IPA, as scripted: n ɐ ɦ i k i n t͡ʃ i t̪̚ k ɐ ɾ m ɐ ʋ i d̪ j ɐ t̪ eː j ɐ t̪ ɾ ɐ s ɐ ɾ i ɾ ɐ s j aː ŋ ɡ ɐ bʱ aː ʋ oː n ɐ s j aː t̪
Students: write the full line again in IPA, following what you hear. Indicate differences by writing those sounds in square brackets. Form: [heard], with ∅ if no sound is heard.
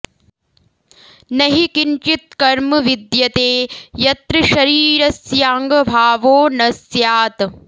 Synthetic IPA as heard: n ɐ ɦ i k i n t͡ʃ i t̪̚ k ɐ ɾ m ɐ ʋ i d̪ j ɐ t̪ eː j ɐ t̪ ɾ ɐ [ʃ] ɐ ɾ [iː] ɾ ɐ s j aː ŋ ɡ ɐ bʱ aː ʋ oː n ɐ s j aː t̪